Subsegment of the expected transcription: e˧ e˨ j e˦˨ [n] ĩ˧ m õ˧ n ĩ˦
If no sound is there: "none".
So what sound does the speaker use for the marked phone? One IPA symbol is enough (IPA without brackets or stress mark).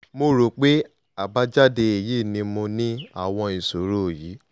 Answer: n